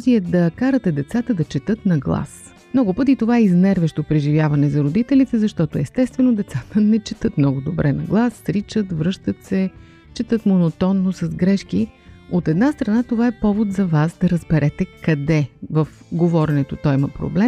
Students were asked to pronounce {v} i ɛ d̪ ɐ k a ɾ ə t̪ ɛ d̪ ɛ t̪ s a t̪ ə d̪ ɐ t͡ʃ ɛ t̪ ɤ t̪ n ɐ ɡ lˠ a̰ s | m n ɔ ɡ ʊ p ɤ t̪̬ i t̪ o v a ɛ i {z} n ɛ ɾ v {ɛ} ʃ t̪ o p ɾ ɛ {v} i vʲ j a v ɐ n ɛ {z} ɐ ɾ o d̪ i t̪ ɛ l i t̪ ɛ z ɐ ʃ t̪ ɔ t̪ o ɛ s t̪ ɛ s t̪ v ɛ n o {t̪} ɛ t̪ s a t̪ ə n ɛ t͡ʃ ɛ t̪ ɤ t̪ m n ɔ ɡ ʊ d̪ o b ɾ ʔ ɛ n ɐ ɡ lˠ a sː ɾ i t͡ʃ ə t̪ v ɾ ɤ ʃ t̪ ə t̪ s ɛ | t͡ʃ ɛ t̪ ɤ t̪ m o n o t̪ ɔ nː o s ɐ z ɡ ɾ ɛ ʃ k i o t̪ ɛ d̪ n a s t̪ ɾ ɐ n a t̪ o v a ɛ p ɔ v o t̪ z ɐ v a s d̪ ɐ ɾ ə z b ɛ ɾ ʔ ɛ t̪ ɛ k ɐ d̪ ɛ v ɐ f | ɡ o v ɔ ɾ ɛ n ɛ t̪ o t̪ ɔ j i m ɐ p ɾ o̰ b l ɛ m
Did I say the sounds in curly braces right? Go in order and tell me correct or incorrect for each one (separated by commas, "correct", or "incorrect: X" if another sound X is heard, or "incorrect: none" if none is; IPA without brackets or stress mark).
incorrect: z, correct, correct, incorrect: ʒ, correct, incorrect: d̪